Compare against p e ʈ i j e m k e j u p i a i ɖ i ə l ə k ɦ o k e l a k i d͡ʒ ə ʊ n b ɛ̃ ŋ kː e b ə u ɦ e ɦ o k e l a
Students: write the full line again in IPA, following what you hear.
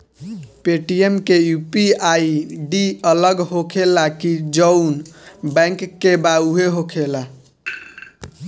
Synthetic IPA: p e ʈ i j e m k e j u p i a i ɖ i ə l ə ɡ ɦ o kʰ e l a k i d͡ʒ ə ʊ n b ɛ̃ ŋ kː e b a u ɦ e ɦ o kʰ e l a